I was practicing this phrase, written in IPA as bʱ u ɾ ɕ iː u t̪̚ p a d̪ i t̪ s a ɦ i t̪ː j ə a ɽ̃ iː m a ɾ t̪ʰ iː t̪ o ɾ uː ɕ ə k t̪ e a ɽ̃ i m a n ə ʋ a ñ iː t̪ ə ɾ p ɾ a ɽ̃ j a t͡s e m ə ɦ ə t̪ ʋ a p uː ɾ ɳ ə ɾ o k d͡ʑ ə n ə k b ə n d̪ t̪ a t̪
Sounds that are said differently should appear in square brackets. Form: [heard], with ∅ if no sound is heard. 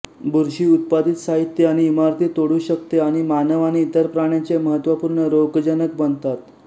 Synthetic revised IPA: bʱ u ɾ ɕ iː u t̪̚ p a d̪ i t̪ s a ɦ i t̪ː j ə a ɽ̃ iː m a ɾ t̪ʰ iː t̪ o [ɽ] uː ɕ ə k t̪ e a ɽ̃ i m a n ə ʋ a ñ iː t̪ ə ɾ p ɾ a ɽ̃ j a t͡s e m ə ɦ ə t̪ ʋ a p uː ɾ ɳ ə ɾ o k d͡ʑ ə n ə k b ə n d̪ t̪ a t̪

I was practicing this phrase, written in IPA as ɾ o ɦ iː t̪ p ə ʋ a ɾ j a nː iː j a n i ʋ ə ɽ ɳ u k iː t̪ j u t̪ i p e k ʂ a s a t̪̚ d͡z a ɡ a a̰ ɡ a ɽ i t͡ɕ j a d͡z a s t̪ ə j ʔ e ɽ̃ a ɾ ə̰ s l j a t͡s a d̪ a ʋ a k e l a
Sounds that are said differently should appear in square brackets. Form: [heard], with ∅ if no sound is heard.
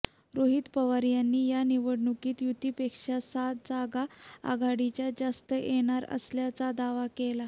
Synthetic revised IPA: ɾ o ɦ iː t̪ p ə ʋ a ɾ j a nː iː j a n i ʋ ə ɽ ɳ u k iː t̪ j u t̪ i p e k ʂ a s a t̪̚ d͡z a ɡ a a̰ ɡ a ɽ i t͡ɕ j a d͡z a s t̪ ə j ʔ e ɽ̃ a ɾ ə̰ s l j a t͡s a d̪ a ʋ a k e l a

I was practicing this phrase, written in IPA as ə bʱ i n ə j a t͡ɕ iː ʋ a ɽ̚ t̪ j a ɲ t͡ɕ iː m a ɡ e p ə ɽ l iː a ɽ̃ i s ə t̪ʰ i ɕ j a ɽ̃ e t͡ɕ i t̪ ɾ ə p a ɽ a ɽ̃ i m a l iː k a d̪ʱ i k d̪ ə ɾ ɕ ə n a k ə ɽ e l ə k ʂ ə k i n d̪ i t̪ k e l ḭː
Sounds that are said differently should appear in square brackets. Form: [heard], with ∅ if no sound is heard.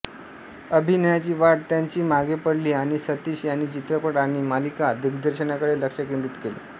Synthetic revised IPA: ə bʱ i n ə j a t͡ɕ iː ʋ a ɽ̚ t̪ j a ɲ t͡ɕ iː m a ɡ e p ə ɽ l iː a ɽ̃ i s ə [t̪] i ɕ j a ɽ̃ [i] t͡ɕ i t̪ ɾ ə p [ə] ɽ a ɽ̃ i m a l [i] k a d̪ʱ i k d̪ ə ɾ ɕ ə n a k ə ɽ e l ə k ʂ ə k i n d̪ i t̪ k e l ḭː

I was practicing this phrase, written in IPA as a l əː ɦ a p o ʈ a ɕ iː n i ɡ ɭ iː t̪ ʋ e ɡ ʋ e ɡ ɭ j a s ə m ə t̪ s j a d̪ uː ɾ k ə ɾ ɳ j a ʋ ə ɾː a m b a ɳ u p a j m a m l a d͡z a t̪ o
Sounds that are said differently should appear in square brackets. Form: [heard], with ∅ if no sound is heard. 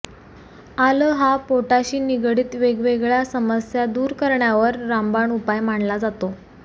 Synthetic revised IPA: a l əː ɦ a p o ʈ a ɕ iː n i ɡ [ɽ] iː t̪ ʋ e ɡ ʋ e ɡ ɭ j a s ə m ə [∅] s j a d̪ uː ɾ k ə ɾ ɳ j a ʋ ə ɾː a m b a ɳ u p a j m a [ɳ] l a d͡z a t̪ o

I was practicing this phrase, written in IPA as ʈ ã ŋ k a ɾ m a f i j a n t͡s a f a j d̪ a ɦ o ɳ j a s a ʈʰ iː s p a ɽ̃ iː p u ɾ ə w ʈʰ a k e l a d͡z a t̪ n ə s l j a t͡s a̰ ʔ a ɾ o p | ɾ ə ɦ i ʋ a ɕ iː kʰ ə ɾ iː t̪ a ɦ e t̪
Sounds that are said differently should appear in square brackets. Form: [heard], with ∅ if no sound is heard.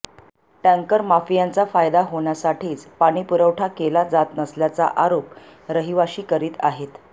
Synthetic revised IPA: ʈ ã ŋ k [ə] ɾ m a f i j a n t͡s a f a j d̪ a ɦ o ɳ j a s a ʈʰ iː [t͡s] p a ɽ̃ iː p u ɾ ə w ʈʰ a k e l a d͡z a t̪ n ə s l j a t͡s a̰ ʔ a ɾ o p | ɾ ə ɦ i ʋ a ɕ iː [k] ə ɾ iː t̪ a ɦ e t̪

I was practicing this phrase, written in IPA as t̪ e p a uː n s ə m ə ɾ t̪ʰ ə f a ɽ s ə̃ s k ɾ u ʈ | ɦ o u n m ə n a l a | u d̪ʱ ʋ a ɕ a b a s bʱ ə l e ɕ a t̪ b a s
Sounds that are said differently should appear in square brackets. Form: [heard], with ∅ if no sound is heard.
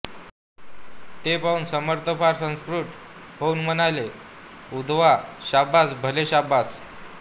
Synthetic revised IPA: t̪ e p a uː n s ə m ə ɾ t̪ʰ ə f a [ɾ] s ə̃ s k ɾ u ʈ | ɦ o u n m ə n a l [e] | u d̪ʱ ʋ a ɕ a b a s bʱ ə l e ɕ a [∅] b a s

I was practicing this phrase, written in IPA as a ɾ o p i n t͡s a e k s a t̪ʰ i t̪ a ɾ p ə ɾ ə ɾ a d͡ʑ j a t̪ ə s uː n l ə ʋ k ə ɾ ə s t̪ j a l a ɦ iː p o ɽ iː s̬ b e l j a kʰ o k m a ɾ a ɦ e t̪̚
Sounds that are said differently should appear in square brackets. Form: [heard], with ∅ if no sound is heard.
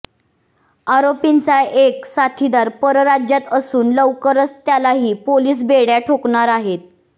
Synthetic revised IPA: a ɾ o p i n t͡s a e k s a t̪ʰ i [d̪] a ɾ p ə ɾ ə ɾ a d͡ʑ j a t̪ ə s uː n l ə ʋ k ə ɾ ə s t̪ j a l a ɦ iː p o [l] iː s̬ b e [ɽ] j a [ʈʰ] o k [ɳ] a ɾ a ɦ e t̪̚

